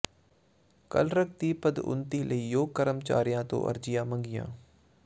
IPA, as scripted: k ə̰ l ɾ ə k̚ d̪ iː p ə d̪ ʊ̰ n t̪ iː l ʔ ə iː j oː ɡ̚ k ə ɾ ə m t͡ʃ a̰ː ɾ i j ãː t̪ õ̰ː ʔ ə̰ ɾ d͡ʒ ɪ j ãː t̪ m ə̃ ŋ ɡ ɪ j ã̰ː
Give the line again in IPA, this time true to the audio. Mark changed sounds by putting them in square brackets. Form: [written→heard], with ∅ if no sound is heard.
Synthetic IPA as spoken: k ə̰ l ɾ ə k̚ [d̪→t̪] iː p ə d̪ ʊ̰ n t̪ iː l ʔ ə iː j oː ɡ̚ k ə ɾ ə m t͡ʃ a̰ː ɾ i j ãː t̪ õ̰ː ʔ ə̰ ɾ d͡ʒ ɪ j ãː [t̪→∅] m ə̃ ŋ ɡ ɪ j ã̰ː